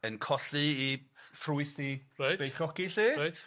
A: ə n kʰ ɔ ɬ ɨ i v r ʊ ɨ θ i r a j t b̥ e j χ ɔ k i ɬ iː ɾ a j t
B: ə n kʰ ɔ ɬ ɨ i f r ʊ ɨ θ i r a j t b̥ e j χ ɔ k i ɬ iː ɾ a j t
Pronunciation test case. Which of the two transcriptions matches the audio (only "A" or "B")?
B